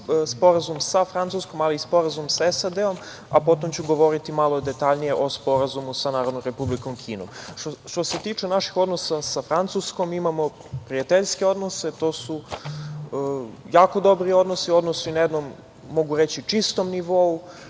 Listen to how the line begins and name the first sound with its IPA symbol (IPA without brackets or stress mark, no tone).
s